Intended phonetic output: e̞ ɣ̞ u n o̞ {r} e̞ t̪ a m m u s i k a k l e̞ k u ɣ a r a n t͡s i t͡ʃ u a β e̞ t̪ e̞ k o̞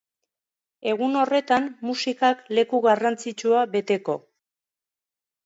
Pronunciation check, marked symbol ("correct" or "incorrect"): correct